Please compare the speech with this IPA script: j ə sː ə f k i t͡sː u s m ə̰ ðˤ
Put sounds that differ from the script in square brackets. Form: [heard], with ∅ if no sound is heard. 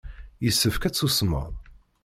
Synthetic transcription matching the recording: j ə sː ə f k [æ] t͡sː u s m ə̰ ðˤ